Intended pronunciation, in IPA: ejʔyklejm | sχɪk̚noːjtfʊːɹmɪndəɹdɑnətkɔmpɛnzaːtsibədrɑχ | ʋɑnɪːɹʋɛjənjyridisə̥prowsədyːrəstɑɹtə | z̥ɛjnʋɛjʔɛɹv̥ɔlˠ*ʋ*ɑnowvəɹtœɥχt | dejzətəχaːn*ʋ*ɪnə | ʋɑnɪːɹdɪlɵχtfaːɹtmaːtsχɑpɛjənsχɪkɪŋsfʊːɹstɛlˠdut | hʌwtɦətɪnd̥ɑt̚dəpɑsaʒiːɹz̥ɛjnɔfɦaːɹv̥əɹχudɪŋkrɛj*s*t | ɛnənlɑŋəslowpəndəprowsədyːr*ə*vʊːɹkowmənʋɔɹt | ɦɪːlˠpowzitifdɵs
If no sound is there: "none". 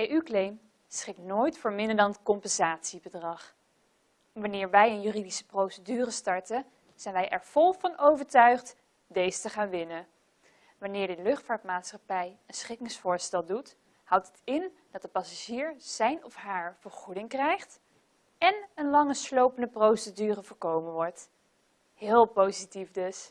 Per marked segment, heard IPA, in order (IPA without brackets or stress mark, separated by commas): v, ʋ, χ, ə